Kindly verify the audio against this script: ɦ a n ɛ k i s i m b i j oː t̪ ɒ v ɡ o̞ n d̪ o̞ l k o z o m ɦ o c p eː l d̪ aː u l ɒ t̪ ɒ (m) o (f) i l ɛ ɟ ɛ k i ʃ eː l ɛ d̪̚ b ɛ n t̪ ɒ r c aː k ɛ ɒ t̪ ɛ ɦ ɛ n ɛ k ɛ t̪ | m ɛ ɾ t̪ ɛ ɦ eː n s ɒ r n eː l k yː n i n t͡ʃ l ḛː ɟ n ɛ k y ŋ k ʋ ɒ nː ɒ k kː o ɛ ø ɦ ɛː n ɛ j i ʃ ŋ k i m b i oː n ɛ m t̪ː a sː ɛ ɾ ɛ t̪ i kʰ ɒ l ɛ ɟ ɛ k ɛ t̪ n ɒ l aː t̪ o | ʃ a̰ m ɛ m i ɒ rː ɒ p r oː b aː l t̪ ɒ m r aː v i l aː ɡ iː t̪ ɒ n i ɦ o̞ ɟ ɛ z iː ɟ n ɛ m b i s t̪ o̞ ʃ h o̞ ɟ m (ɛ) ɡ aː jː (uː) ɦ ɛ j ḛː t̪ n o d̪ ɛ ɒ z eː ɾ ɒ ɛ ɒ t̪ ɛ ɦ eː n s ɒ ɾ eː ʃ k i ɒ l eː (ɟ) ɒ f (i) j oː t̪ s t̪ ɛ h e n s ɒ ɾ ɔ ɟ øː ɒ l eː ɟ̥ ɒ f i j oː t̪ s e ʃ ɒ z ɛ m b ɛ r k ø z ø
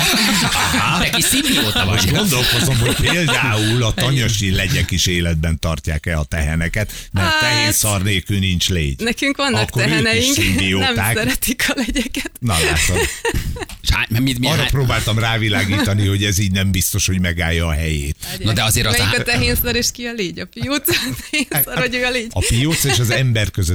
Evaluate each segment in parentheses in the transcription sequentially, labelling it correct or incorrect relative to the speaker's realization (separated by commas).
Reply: incorrect, incorrect, correct, incorrect, correct, correct